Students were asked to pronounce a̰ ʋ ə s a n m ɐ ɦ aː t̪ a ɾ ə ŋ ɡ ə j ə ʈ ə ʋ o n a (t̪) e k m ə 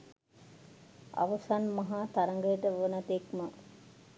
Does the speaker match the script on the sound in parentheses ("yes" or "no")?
yes